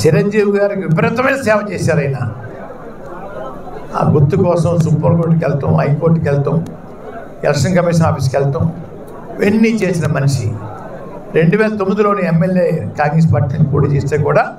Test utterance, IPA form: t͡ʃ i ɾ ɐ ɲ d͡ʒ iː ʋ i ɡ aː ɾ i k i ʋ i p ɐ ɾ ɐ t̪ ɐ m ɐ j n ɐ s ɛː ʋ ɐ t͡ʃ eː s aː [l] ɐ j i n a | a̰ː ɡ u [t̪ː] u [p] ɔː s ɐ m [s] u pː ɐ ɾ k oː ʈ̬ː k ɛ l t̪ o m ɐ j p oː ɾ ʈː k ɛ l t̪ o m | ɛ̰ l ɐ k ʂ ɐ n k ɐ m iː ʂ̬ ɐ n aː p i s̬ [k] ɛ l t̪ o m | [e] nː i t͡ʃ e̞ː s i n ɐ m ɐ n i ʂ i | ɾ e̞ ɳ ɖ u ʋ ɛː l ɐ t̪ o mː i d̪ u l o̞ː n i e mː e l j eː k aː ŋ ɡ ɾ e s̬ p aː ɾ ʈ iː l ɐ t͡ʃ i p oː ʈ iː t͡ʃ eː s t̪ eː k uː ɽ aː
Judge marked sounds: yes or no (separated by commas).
no, yes, no, yes, yes, yes